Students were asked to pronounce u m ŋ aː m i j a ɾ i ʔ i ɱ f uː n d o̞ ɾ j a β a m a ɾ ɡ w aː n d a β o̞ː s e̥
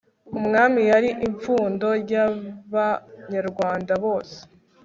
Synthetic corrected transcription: u m ŋ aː m i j a ɾ i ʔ i ɱ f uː n d o̞ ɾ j a β a ɲ a ɾ ɡ w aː n d a β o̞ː s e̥